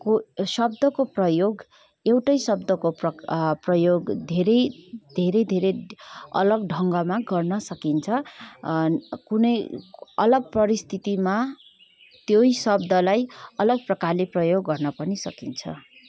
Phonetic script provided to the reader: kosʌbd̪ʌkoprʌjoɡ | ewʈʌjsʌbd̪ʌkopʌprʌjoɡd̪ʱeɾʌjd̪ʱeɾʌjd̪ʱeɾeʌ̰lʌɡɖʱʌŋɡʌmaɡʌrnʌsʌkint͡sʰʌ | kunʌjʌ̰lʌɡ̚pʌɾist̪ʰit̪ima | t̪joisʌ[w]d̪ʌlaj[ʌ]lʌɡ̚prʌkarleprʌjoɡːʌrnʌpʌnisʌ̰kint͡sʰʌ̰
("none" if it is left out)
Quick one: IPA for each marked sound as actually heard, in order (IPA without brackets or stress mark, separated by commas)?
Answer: b, ʌ